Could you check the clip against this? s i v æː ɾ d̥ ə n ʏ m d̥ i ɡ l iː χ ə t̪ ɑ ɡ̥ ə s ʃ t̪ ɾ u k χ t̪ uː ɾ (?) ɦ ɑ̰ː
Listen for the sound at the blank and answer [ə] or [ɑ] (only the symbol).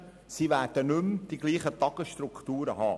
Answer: ə